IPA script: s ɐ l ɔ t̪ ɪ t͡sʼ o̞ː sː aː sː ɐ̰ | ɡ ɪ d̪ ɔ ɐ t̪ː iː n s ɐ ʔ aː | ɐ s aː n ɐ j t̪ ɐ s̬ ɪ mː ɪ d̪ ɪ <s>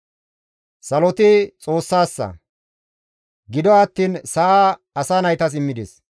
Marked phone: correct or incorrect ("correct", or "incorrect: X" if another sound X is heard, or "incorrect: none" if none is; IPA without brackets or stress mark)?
correct